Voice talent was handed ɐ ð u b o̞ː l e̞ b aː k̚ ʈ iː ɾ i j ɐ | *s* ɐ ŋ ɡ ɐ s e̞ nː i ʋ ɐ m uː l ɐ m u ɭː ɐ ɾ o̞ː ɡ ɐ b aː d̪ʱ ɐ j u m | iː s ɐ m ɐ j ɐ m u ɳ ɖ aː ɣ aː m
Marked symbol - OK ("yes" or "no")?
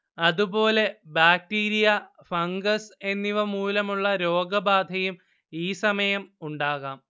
no